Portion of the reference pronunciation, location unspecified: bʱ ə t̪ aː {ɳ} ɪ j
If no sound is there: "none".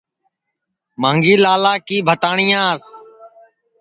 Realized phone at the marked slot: ɳ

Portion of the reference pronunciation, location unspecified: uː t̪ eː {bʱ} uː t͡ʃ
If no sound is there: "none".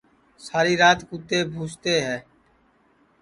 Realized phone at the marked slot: bʱ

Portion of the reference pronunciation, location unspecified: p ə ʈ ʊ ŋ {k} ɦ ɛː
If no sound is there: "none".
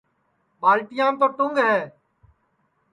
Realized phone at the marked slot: ɡ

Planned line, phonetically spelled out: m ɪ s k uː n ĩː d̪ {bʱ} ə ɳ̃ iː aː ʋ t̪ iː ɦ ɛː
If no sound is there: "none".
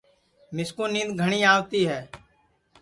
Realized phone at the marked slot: ɡʱ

